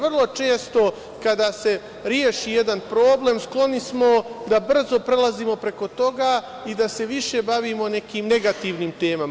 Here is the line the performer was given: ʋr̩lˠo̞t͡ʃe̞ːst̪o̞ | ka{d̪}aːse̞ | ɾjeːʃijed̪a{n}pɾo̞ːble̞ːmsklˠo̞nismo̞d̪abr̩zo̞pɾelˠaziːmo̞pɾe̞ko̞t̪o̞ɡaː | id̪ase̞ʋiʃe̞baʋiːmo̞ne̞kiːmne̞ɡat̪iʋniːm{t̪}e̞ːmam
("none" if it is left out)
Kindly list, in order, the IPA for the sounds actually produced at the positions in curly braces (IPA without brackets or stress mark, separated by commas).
d̪, n, t̪